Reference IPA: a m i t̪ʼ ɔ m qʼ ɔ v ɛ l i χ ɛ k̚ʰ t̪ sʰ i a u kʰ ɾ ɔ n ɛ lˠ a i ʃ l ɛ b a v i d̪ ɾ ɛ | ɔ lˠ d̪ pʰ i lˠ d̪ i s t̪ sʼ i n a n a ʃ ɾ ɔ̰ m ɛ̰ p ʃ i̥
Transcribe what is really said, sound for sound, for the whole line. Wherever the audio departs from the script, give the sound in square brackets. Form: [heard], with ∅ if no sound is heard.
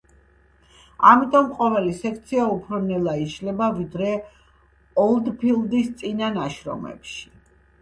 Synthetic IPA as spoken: a m i t̪ʼ ɔ m qʼ ɔ v ɛ l i [s] ɛ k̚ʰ t̪ sʰ i a u [pʰ] ɾ ɔ n ɛ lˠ a i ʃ l ɛ b a v i d̪ ɾ ɛ | ɔ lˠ d̪ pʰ i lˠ d̪ i s t̪ sʼ i n a n a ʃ ɾ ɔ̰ m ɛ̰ p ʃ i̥

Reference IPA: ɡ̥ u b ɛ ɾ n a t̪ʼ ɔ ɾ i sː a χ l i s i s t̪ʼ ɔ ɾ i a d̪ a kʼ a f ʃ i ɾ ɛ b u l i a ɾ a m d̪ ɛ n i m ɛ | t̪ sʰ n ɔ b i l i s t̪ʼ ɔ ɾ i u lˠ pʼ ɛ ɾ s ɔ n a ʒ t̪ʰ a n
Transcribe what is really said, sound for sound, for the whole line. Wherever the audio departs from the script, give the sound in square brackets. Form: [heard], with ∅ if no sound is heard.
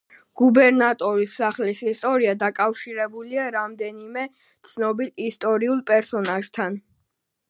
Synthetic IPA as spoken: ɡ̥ u b ɛ ɾ n a t̪ʼ ɔ ɾ i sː a χ l i s i s t̪ʼ ɔ ɾ i a d̪ a kʼ a f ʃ i ɾ ɛ b u l i a ɾ a m d̪ ɛ n i m ɛ | t̪ sʰ n ɔ b i l i s t̪ʼ ɔ ɾ i u lˠ pʼ ɛ ɾ s ɔ n a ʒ t̪ʰ a n

